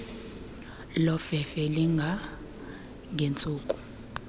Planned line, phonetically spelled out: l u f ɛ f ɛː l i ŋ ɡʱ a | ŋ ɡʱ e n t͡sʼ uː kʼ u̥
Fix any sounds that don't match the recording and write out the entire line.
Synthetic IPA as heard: l ɔ f ɛ f ɛ l i ŋ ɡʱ a | ŋ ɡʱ e n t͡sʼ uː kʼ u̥

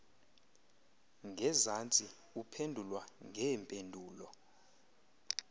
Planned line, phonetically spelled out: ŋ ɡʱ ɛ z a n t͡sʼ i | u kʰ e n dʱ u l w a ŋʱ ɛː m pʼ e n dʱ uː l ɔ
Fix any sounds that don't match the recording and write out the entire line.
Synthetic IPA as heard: ŋ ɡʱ ɛ z a n t͡sʼ i | u pʰ e n dʱ u l w a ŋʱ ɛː m pʼ e n dʱ uː l ɔ

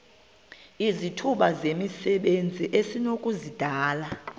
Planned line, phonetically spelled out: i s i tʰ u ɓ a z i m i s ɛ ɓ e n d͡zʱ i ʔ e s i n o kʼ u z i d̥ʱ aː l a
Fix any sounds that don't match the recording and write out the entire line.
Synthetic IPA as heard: i z i tʰ u ɓ a z e m i s ɛ ɓ e n d͡zʱ i ʔ e s i n o kʼ u z i d̥ʱ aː l a

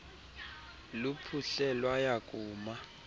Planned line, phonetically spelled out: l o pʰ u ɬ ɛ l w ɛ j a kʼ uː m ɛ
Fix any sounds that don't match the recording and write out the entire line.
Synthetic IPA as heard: l u pʰ u ɬ ɛ l w a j a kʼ uː m a

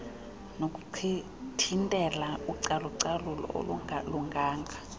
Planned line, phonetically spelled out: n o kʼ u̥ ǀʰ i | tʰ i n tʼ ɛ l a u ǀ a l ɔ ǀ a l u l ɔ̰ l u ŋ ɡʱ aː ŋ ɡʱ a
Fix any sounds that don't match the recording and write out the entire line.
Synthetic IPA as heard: n o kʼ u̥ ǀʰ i | tʰ i n tʼ ɛ l a u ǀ a l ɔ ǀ a l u l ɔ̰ l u ŋ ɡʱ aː ŋ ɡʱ a

